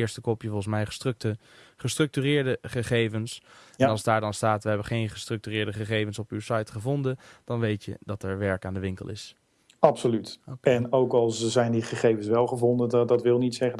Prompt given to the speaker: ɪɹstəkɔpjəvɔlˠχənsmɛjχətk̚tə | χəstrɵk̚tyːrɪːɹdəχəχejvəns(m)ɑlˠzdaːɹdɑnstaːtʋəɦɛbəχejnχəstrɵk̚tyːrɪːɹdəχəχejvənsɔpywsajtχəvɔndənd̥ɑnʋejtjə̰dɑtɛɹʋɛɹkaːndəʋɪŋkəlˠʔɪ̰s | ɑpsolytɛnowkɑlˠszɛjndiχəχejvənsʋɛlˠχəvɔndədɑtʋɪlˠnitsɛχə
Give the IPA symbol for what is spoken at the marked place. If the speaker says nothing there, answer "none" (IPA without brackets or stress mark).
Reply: n